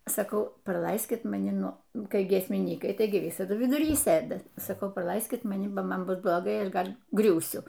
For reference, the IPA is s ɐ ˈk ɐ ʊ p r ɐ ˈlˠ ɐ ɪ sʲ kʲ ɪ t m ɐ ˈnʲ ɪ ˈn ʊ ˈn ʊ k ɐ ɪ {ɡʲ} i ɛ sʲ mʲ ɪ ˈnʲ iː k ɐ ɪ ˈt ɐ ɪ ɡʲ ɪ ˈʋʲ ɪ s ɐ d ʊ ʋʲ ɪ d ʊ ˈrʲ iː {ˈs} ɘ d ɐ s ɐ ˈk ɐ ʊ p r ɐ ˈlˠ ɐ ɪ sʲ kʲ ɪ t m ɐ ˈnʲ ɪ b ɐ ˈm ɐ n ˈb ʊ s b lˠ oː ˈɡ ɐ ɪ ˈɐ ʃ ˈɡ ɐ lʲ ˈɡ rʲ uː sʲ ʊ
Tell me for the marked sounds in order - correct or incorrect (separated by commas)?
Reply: correct, correct